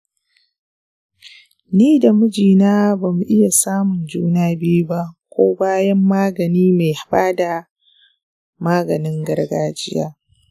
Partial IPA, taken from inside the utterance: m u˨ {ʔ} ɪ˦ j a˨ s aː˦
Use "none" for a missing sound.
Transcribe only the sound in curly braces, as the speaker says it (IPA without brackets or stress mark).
ʔ